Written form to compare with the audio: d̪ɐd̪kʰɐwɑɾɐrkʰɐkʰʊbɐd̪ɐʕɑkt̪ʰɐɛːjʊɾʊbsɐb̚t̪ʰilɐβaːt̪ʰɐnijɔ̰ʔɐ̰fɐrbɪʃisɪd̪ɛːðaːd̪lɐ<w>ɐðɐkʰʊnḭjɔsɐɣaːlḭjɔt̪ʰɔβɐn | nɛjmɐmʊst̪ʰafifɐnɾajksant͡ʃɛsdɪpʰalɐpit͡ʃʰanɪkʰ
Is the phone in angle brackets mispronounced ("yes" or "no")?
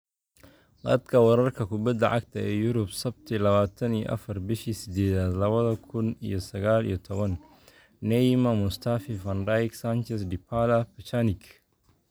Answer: yes